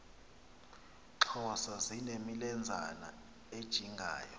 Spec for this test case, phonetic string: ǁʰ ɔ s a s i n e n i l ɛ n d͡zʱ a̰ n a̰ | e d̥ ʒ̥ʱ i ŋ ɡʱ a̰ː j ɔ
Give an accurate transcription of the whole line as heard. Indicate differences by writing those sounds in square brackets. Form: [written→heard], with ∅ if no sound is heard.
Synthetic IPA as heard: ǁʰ ɔ s a [s→z] i n e [n→m] i l ɛ n d͡zʱ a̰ n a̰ | e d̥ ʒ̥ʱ i ŋ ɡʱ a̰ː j ɔ